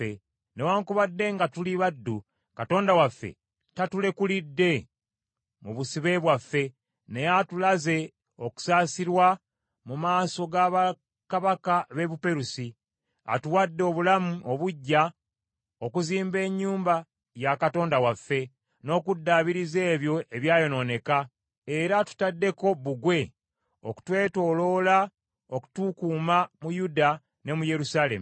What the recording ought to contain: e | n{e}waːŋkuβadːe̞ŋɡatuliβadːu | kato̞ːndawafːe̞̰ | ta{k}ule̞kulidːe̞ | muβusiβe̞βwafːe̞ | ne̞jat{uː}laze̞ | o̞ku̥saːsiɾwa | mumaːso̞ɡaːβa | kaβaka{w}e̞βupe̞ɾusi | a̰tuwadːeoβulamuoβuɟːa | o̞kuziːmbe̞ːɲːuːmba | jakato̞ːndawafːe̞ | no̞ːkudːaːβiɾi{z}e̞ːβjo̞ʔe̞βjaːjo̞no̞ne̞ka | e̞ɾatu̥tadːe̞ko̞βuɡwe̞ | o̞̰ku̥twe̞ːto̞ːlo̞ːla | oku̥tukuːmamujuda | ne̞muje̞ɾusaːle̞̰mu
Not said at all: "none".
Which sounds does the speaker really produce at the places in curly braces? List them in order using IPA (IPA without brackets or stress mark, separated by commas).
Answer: e, t, u, β, z